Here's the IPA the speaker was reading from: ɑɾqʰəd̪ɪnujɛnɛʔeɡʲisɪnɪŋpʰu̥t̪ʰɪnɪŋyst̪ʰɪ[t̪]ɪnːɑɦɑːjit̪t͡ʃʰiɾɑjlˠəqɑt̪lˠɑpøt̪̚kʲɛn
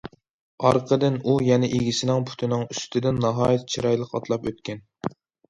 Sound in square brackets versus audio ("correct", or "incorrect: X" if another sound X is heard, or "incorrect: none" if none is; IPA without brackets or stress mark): incorrect: d̪